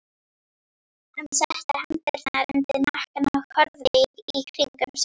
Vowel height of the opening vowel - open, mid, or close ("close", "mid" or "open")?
open